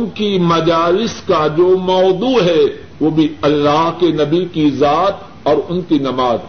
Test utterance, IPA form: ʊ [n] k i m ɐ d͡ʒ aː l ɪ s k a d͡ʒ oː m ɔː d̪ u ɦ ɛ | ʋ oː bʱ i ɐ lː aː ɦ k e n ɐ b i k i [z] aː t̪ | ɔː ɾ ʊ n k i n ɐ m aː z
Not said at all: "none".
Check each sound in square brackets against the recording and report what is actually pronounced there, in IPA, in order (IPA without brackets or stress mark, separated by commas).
n, z